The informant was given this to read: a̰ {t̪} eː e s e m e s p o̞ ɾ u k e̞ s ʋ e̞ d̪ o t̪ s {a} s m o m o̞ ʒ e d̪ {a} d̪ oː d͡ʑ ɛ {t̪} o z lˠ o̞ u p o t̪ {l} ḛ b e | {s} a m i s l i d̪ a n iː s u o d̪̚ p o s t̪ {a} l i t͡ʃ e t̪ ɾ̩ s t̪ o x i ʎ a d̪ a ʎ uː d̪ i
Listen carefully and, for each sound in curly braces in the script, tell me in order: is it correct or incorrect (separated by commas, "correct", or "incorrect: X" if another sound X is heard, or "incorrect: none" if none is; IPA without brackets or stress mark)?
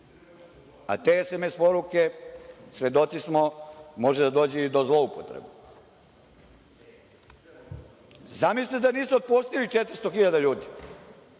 correct, incorrect: i, correct, incorrect: d̪, incorrect: ɾ, incorrect: z, incorrect: i